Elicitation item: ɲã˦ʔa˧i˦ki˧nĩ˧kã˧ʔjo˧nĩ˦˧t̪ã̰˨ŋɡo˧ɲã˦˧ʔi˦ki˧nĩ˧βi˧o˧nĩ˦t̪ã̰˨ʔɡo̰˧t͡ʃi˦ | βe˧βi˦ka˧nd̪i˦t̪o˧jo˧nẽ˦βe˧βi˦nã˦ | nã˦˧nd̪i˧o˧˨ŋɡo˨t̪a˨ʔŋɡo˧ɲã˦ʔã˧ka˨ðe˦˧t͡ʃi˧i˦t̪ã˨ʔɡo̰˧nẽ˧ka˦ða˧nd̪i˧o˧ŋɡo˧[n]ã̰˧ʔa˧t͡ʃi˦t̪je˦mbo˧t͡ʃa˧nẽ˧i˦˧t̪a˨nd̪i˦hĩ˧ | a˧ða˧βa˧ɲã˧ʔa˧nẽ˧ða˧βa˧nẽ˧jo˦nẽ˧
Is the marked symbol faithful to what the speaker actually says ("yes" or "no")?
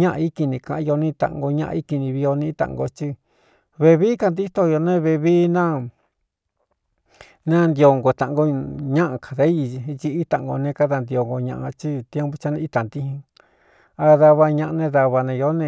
no